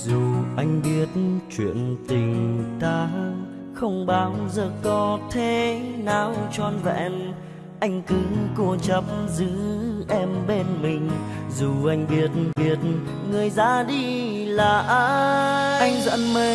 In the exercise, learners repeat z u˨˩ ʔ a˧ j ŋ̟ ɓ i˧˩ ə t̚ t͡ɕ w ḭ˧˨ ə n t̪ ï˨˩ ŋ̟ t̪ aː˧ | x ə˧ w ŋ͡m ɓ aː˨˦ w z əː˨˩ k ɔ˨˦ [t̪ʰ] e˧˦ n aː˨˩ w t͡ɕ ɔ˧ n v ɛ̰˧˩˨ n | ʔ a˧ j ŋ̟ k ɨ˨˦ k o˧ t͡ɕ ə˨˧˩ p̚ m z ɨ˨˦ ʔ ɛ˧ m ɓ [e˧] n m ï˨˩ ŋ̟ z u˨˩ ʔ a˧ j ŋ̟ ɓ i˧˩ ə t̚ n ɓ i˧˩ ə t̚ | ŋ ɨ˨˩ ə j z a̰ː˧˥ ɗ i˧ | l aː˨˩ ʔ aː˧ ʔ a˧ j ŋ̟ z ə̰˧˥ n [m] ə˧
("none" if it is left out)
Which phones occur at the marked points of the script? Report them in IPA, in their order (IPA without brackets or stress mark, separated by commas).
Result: t̪ʰ, e˧, m